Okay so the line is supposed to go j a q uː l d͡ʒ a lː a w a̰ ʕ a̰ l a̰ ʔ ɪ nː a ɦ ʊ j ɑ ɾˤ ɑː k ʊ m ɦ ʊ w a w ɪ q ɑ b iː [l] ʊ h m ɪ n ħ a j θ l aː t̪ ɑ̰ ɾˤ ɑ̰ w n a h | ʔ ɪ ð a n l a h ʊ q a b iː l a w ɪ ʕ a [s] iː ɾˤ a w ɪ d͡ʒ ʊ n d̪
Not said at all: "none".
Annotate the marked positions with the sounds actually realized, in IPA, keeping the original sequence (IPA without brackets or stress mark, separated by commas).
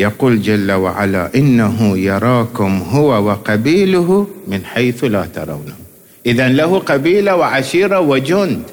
l, ʃ